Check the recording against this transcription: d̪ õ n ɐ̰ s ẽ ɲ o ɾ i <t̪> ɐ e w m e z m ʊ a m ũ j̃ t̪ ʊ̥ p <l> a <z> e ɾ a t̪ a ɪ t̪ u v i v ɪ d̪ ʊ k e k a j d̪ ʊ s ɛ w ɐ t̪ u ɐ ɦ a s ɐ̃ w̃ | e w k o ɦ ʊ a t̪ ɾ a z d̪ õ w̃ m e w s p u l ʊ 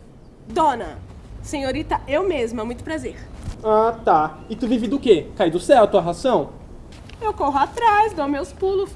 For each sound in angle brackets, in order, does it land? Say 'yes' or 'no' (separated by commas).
yes, no, yes